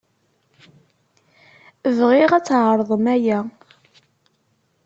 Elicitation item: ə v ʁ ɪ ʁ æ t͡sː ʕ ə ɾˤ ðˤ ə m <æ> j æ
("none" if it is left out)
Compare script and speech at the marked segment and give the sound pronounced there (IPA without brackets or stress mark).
æ